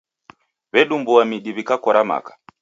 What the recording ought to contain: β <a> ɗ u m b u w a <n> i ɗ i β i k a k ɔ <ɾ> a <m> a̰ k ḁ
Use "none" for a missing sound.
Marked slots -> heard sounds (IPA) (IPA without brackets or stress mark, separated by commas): ɛ, m, ɾ, m